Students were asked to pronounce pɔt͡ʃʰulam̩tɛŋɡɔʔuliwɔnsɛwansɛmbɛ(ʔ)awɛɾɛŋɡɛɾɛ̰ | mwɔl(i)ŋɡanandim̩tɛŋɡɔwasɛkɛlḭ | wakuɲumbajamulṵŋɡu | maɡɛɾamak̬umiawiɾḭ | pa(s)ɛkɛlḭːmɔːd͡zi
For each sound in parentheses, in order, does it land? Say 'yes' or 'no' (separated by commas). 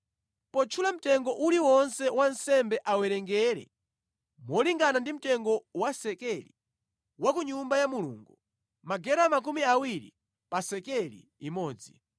yes, yes, yes